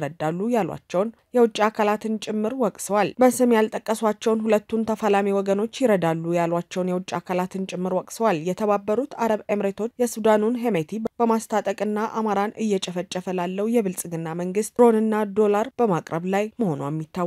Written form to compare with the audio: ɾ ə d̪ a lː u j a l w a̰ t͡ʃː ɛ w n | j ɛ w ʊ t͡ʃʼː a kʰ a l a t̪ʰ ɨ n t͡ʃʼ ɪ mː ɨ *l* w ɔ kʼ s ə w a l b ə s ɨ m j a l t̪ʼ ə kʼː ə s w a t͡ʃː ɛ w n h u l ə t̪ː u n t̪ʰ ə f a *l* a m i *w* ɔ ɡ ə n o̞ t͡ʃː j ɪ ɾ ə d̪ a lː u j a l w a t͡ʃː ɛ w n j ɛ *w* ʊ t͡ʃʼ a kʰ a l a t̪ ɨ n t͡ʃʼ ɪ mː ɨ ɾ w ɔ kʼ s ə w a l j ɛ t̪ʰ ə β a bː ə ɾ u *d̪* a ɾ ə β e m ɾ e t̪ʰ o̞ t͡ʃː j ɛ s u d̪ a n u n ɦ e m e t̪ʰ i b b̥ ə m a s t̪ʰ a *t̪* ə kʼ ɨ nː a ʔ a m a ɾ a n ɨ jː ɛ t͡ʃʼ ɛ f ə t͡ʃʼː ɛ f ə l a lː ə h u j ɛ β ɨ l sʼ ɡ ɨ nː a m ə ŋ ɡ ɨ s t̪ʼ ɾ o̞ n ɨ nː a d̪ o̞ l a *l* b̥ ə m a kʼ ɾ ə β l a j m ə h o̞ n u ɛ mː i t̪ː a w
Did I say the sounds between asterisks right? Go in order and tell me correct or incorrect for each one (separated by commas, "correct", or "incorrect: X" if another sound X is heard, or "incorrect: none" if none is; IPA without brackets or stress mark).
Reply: incorrect: ɾ, correct, correct, correct, incorrect: t̪, incorrect: t̪ʼ, incorrect: ɾ